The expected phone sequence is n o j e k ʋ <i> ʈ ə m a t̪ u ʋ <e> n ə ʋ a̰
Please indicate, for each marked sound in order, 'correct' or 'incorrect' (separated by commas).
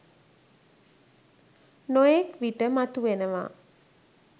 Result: correct, correct